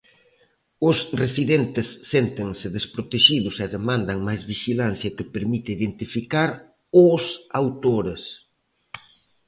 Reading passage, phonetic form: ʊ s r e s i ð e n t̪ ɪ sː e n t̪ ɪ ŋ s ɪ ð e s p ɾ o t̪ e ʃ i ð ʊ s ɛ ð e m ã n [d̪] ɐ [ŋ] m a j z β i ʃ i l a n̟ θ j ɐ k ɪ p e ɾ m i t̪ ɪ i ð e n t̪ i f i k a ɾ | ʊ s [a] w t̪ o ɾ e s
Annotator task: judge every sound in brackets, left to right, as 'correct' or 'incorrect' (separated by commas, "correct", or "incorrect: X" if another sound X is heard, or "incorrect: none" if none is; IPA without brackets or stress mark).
correct, correct, correct